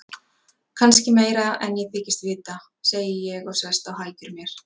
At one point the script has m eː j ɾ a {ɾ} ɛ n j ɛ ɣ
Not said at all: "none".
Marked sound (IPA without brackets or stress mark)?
none